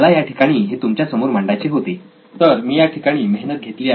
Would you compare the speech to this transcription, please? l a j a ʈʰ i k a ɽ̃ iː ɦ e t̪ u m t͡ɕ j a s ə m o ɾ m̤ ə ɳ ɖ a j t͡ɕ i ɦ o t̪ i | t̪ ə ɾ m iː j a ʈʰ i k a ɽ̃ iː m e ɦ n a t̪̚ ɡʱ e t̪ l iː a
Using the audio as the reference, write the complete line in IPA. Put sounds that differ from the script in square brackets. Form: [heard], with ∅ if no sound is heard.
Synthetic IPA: l a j a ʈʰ i k a ɽ̃ iː ɦ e t̪ u m t͡ɕ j a s ə m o ɾ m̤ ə ɳ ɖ a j t͡ɕ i ɦ o t̪ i | t̪ ə ɾ m iː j a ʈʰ i k a ɽ̃ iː m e ɦ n [ə] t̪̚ ɡʱ e t̪ l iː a